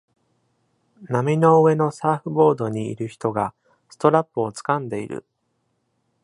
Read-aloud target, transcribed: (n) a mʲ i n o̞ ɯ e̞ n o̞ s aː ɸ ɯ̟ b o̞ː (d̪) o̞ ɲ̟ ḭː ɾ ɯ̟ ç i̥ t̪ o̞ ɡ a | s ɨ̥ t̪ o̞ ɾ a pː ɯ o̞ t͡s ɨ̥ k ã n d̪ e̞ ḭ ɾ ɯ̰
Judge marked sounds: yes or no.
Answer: yes, yes

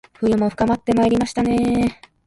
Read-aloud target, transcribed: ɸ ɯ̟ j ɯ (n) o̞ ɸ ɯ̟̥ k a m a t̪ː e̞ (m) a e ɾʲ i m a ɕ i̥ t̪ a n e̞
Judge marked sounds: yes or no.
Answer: no, yes

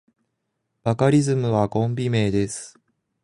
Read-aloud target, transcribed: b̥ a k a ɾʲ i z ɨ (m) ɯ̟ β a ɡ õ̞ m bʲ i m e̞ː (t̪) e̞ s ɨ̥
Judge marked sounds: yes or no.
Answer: yes, no

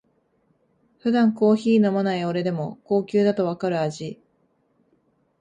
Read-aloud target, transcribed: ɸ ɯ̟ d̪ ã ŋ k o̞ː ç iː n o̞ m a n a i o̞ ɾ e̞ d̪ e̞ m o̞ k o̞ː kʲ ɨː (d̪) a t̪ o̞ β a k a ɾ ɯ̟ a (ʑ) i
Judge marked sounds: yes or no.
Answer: yes, yes

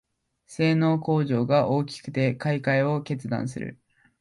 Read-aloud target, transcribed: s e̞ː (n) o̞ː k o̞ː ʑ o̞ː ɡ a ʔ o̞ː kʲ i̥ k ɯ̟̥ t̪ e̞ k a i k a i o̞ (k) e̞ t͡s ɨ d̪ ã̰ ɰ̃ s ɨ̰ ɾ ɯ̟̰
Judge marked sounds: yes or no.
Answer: yes, yes

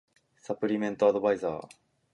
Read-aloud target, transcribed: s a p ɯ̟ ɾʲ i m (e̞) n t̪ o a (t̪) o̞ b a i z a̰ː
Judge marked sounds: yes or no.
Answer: no, no

